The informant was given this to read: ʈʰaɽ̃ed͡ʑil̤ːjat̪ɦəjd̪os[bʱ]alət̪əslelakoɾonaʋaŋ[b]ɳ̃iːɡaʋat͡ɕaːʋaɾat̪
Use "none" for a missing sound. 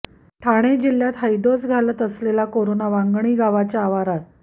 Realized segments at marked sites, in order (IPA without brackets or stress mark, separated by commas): ɡʱ, ɡ